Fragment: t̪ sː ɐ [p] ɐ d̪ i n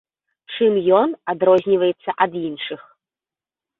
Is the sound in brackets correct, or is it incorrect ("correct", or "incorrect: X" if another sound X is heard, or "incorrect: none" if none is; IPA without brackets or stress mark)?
incorrect: ʔ